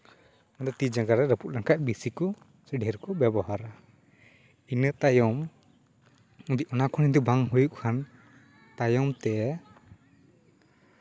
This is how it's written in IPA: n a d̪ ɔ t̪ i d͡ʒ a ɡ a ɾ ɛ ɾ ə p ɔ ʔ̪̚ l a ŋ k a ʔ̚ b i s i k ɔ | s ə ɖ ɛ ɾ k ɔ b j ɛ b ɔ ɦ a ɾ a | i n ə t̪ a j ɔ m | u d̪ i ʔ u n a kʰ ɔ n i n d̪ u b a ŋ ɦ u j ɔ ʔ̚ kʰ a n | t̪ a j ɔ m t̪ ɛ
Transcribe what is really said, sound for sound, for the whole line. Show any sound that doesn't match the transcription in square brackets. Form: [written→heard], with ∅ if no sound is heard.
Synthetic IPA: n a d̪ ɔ t̪ i d͡ʒ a ɡ a ɾ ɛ ɾ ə p [ɔ→u] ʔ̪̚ l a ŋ k a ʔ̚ b i s i k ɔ | s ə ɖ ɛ ɾ k ɔ b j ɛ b ɔ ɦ a ɾ a | i n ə t̪ a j ɔ m | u d̪ i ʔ [u→ɔ] n a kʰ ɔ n i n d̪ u b a ŋ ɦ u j [ɔ→u] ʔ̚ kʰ a n | t̪ a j ɔ m t̪ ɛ